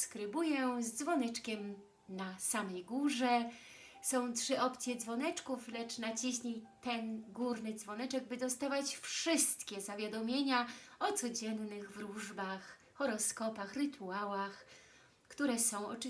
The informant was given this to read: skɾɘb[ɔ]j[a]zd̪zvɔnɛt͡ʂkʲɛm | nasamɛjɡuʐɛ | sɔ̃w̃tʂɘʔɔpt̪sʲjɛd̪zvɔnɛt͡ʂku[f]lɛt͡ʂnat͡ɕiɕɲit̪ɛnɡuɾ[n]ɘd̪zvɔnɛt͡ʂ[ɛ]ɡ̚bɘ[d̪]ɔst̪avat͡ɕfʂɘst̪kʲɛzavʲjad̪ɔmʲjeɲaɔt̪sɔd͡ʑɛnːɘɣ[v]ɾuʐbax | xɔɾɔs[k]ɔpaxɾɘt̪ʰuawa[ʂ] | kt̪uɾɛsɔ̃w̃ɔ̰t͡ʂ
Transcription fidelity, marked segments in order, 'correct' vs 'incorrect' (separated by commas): incorrect, incorrect, correct, correct, correct, correct, correct, correct, incorrect